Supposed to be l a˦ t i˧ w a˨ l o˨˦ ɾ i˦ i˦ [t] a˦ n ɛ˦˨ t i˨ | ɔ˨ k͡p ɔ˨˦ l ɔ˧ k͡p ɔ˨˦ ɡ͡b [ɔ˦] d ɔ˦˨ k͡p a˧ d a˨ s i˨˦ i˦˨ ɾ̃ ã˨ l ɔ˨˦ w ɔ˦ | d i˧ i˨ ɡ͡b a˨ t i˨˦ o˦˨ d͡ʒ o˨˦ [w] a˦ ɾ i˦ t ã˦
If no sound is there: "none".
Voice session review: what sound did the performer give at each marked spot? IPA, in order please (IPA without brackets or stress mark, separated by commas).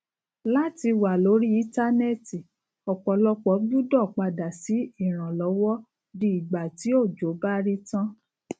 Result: t, u˦, b